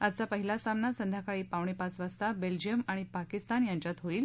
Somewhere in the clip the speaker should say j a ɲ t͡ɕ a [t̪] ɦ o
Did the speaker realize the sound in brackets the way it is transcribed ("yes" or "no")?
yes